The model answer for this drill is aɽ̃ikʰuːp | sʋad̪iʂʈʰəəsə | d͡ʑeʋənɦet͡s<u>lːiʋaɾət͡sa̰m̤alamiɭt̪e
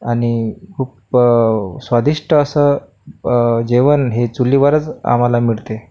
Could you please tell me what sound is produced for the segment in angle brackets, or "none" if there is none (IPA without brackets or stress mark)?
u